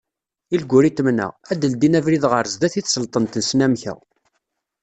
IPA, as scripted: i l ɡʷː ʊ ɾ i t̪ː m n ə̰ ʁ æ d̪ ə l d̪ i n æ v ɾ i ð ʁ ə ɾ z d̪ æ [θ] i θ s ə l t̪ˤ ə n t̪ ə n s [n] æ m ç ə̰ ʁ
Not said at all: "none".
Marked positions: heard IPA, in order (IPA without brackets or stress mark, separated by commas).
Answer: θ, n